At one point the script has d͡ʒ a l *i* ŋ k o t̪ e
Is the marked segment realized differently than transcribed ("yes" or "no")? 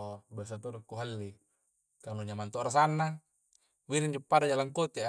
yes